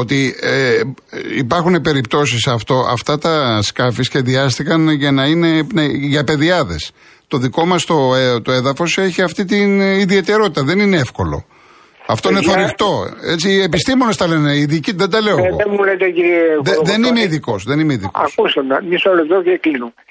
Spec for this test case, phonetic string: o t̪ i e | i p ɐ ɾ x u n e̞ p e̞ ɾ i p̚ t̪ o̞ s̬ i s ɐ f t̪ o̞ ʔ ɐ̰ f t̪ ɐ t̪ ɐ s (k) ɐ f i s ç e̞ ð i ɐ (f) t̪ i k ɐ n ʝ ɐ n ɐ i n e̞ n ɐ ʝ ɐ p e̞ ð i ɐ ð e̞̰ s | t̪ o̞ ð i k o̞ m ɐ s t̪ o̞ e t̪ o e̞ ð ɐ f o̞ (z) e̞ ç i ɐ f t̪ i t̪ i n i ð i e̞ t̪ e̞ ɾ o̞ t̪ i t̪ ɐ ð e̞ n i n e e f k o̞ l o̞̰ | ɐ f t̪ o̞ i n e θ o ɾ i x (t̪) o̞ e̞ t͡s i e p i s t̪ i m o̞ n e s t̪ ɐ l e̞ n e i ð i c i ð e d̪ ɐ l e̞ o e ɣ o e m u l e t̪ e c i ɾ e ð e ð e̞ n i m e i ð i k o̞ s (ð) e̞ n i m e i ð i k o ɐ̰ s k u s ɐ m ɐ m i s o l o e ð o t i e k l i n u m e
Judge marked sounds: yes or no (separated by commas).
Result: yes, no, no, yes, yes